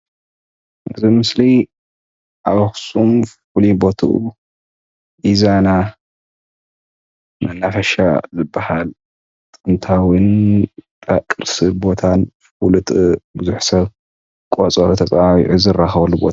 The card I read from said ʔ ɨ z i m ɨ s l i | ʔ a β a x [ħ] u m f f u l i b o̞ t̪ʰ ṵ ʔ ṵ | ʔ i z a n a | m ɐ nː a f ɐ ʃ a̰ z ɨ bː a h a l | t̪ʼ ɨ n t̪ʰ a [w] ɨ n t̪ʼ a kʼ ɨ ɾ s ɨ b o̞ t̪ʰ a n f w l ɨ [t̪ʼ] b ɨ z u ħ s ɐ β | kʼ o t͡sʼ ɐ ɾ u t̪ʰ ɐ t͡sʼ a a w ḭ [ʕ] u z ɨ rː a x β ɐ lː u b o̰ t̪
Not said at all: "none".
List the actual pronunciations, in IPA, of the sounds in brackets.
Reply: s, w, t̪ʼ, ʕ

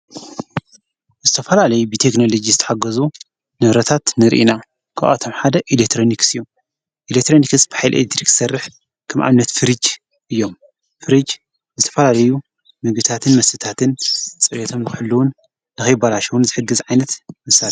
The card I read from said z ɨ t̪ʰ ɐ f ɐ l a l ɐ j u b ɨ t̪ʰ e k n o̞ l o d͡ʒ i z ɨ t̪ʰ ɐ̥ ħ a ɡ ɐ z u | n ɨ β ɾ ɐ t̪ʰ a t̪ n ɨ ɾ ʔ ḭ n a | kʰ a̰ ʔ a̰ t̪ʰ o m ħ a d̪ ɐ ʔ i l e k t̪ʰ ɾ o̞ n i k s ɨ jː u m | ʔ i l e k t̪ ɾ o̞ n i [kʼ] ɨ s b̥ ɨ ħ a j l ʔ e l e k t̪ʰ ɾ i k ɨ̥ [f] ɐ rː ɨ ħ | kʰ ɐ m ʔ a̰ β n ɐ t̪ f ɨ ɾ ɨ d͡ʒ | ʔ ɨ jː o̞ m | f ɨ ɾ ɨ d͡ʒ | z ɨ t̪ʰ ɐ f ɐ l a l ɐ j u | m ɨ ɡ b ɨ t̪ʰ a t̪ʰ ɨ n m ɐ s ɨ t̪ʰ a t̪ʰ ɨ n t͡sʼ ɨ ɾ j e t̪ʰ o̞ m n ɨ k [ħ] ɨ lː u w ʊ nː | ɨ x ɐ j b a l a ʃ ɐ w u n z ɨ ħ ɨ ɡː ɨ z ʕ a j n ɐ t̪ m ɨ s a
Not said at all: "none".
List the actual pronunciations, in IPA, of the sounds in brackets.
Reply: k, s, ħ

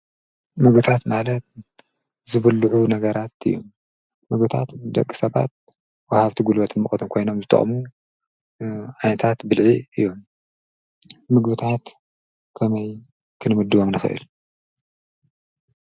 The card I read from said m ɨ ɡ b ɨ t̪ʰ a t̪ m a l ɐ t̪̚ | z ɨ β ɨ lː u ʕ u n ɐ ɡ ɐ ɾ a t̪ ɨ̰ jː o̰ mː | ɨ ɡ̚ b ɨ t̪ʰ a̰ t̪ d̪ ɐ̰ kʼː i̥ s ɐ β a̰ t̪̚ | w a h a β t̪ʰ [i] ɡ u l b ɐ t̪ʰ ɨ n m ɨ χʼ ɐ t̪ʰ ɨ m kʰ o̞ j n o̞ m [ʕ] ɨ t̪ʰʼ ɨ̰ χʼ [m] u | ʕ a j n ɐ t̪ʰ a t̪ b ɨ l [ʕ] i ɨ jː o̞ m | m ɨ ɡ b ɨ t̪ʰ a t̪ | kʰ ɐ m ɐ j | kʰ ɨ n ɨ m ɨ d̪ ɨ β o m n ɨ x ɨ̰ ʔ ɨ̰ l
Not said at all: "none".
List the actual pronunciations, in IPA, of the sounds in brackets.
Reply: i, z, m, ʕ

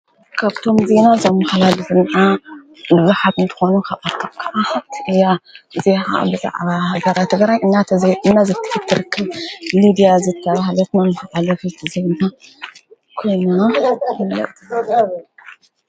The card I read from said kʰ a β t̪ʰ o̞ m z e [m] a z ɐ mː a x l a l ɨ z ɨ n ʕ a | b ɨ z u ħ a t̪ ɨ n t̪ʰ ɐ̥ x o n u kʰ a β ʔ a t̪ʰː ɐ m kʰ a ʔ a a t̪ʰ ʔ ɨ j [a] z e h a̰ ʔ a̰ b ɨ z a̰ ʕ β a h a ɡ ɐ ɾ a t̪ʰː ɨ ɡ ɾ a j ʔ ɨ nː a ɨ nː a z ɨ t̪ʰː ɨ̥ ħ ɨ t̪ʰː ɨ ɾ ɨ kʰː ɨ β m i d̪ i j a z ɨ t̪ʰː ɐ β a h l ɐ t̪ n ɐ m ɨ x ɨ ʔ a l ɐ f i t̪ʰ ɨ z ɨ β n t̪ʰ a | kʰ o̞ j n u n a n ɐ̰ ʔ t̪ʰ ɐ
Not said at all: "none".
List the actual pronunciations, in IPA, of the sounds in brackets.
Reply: n, a

